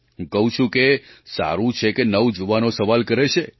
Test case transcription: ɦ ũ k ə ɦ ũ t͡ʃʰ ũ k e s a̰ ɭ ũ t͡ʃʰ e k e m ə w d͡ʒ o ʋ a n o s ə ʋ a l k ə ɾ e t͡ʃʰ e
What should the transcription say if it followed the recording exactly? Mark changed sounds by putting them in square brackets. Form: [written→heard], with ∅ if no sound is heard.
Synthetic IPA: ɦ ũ k ə ɦ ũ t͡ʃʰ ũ k e s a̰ [ɭ→ɾ] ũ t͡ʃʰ e k e [m→n] ə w d͡ʒ o ʋ a n o s ə ʋ a l k ə ɾ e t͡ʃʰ e